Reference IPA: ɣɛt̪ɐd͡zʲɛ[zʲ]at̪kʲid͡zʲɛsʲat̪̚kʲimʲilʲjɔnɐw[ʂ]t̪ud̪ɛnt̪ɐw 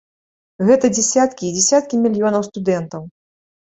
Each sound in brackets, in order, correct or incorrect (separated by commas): incorrect, incorrect